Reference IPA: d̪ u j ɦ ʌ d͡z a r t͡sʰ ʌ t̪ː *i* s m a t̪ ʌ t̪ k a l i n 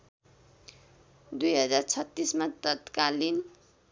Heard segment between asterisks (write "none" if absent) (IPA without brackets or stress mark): i